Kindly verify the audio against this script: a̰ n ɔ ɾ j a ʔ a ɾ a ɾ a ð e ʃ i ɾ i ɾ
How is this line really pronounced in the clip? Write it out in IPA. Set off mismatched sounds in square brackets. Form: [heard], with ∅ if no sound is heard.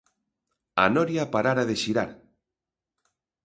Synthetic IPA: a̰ n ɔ ɾ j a [p] a ɾ a ɾ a ð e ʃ i ɾ [a] ɾ